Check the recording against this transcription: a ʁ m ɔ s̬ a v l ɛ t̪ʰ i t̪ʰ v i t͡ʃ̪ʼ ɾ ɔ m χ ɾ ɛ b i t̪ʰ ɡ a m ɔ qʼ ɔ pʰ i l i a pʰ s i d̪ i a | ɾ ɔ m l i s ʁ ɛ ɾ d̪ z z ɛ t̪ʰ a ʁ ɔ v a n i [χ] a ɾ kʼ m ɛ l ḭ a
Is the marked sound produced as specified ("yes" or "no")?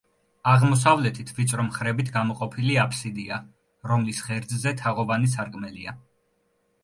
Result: no